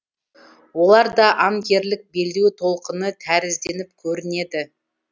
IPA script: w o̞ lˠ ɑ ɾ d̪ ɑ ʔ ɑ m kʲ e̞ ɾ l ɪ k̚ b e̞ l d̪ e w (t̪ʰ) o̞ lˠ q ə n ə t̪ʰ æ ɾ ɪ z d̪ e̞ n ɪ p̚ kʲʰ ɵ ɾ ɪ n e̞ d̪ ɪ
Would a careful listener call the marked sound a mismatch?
no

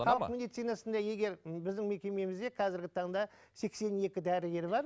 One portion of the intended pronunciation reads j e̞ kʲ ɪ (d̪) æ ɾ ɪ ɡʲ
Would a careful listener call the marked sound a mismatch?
no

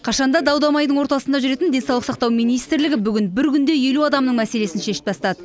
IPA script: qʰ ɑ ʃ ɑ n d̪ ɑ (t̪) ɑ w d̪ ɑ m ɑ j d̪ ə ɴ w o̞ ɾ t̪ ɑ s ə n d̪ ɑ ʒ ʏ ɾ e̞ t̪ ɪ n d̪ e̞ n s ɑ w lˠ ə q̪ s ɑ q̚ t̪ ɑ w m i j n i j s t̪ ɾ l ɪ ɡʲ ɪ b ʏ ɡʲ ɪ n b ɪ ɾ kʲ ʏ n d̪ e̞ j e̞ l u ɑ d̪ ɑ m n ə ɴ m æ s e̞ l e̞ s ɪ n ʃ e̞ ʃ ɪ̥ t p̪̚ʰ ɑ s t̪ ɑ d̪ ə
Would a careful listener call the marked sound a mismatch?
yes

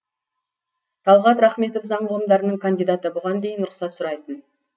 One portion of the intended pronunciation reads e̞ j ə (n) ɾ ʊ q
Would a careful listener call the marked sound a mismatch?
no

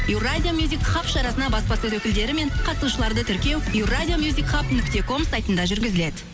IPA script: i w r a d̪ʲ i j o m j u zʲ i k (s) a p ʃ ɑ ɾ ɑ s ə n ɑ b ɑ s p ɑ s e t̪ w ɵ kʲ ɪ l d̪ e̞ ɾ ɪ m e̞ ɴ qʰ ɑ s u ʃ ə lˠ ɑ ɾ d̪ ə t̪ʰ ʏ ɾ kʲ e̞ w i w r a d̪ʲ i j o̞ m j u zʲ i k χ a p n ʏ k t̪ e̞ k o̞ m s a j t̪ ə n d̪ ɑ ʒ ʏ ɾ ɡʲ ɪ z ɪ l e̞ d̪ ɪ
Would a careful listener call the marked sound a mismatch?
yes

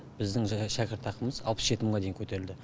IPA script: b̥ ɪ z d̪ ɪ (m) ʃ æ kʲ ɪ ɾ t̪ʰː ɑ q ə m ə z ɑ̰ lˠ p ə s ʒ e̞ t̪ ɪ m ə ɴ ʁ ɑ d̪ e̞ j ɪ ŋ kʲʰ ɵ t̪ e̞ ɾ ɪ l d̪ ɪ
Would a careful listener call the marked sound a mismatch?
yes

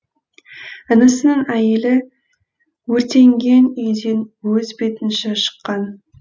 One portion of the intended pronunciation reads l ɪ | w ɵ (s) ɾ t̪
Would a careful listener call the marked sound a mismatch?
yes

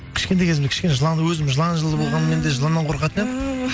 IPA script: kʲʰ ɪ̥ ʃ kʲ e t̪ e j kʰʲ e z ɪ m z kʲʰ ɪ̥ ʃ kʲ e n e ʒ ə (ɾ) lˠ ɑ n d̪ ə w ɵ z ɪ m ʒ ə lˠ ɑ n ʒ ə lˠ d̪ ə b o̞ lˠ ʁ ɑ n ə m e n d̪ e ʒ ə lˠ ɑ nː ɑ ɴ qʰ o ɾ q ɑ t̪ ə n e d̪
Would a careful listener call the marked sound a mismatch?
yes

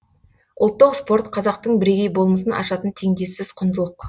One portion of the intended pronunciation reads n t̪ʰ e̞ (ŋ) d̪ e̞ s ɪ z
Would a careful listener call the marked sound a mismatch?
no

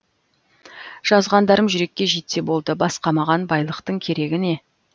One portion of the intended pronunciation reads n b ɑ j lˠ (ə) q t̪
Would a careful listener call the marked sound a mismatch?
no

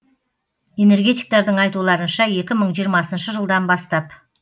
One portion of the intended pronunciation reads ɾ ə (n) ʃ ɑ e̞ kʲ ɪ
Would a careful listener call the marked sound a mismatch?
no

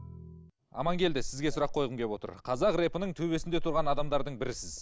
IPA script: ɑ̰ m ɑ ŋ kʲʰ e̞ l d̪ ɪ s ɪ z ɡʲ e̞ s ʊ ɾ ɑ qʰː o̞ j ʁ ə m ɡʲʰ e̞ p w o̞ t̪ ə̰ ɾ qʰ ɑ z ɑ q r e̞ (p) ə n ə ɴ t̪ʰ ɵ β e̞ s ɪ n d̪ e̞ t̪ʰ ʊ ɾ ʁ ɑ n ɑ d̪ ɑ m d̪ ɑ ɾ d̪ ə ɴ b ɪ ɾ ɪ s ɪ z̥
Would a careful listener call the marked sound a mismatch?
no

